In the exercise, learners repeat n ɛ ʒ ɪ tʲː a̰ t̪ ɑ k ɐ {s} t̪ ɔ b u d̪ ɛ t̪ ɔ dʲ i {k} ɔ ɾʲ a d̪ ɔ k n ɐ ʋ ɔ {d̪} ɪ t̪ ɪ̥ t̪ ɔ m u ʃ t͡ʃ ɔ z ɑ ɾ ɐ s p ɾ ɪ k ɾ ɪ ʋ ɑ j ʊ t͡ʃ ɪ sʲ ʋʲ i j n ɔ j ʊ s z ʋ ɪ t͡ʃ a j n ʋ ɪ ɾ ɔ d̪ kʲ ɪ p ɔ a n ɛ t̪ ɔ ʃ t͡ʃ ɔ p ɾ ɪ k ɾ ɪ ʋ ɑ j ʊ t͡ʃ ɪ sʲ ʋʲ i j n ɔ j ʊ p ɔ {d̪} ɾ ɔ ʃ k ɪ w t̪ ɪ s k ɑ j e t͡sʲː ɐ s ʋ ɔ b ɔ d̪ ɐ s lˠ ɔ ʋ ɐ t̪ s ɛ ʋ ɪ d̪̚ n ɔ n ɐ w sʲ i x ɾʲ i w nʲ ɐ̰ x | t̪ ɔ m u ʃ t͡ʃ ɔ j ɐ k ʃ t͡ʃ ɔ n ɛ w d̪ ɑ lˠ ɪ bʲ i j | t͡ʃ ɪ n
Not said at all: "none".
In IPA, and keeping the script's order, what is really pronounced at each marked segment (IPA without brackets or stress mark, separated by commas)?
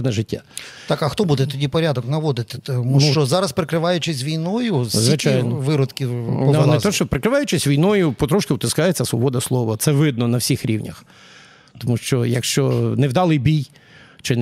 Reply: x, p, d̪, t̪